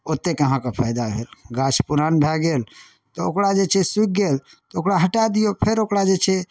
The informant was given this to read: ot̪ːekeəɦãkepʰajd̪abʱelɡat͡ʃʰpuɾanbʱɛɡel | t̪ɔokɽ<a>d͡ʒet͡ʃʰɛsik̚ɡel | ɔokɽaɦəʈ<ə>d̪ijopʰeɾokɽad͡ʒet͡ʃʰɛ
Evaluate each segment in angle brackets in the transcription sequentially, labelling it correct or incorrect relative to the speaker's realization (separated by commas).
correct, incorrect